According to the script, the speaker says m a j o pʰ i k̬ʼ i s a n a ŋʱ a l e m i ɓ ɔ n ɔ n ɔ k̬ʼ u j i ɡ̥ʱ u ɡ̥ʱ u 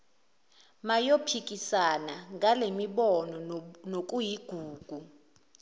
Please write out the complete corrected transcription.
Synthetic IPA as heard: m a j o pʰ i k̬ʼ i s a n a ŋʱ a l e m i ɓ ɔ n ɔ n o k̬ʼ u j i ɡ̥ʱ uː ɡ̥ʱ u